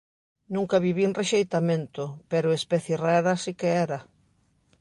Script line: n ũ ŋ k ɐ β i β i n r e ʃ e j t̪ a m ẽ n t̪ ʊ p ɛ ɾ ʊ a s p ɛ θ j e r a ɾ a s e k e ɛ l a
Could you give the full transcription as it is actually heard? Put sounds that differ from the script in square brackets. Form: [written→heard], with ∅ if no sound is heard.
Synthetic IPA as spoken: n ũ ŋ k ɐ β i β i n r e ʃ e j t̪ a m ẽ n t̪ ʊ p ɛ ɾ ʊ [a→e] s p ɛ θ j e r a ɾ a s [e→i] k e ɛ [l→ɾ] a

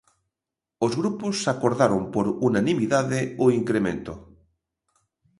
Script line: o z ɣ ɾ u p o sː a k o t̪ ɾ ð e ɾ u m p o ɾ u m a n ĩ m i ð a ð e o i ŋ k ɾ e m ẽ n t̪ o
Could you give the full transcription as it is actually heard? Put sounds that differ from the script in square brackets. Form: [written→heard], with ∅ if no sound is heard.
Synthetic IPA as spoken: o z ɣ ɾ u p o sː a k o [t̪→∅] ɾ ð [e→a] ɾ [u→o] m p o ɾ u [m→n] a n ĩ m i ð a ð e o i ŋ k ɾ e m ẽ n t̪ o

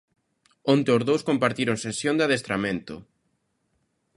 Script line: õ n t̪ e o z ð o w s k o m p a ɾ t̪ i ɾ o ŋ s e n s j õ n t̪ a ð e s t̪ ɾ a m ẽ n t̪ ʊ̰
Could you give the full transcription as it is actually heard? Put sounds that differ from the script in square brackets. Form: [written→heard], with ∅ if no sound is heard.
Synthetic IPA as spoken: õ n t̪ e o z ð o w s k o m p a ɾ t̪ i ɾ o ŋ s e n s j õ n [t̪→d̪] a ð e s t̪ ɾ a m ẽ n t̪ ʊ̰

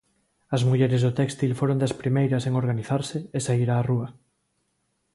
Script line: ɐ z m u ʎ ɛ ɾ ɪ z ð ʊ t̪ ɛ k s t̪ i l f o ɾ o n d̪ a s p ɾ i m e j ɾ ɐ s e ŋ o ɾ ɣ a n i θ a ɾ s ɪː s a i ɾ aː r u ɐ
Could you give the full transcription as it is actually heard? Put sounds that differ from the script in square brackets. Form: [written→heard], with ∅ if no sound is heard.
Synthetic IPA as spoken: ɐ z m u ʎ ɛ ɾ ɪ z ð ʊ t̪ ɛ k s t̪ i l f o ɾ o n d̪ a s p ɾ i m e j ɾ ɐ s e ŋ o ɾ ɣ a n i θ a ɾ s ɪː s a i ɾ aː r u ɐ

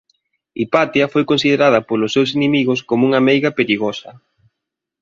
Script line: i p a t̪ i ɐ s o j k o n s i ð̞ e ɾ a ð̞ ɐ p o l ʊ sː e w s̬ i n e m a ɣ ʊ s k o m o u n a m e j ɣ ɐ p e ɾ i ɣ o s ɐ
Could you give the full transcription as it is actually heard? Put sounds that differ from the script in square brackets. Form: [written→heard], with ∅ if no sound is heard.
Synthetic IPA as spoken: i p a t̪ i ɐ [s→f] o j k o n s i ð̞ e ɾ a ð̞ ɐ p o l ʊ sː e w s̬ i n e m [a→i] ɣ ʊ s k o m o u [n→ŋ] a m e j ɣ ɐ p e ɾ i ɣ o s ɐ

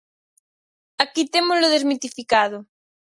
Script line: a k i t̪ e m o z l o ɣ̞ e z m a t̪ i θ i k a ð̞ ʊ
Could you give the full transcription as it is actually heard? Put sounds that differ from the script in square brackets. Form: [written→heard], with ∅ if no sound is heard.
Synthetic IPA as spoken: a k i t̪ e m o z l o [ɣ̞→ð̞] e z m [a→i] t̪ i [θ→f] i k a ð̞ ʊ

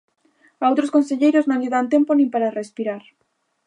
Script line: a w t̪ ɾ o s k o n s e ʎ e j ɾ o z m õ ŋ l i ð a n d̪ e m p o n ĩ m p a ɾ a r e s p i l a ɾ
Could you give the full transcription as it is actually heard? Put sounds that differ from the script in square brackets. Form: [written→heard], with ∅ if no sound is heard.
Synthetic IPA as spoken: a w t̪ ɾ o s k o n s e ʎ e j ɾ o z [m→n] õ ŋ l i ð a n [d̪→t̪] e m p o n ĩ m p a ɾ a r e s p i [l→ɾ] a ɾ

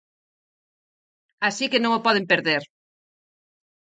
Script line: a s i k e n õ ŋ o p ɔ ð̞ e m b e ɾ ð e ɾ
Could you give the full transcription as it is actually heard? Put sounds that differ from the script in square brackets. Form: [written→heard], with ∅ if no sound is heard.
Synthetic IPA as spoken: a s i k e n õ ŋ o p ɔ ð̞ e m [b→p] e ɾ ð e ɾ

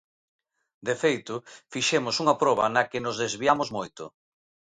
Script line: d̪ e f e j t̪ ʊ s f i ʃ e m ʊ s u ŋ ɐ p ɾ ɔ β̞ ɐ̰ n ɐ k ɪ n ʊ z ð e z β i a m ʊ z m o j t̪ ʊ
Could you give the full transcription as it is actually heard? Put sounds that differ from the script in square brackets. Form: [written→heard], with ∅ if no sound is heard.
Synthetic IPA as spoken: d̪ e f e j t̪ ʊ [s→∅] f i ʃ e m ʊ s u ŋ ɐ p ɾ ɔ β̞ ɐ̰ n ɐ k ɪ n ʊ z ð e z β i a m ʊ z m o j t̪ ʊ

